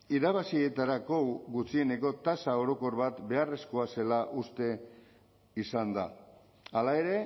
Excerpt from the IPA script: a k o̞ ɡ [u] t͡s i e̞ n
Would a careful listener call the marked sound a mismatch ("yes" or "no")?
no